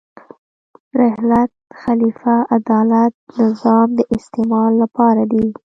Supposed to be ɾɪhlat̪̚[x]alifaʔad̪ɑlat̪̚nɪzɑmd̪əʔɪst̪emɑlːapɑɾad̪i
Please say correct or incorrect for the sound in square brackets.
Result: correct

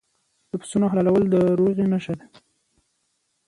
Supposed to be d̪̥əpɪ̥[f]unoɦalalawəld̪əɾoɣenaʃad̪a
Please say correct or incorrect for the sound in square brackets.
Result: incorrect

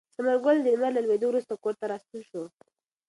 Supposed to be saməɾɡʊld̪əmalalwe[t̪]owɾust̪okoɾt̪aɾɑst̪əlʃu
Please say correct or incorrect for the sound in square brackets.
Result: incorrect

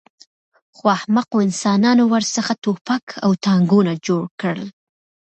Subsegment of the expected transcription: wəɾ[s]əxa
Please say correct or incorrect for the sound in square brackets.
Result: correct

